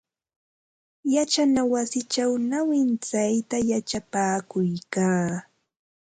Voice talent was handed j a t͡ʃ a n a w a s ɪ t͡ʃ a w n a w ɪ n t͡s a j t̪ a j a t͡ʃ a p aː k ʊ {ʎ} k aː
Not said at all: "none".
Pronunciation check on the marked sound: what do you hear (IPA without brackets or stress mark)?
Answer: j